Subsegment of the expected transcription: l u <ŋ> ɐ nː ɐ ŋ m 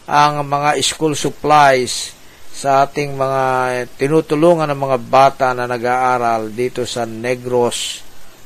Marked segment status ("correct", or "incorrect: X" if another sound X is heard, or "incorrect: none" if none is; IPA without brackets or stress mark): correct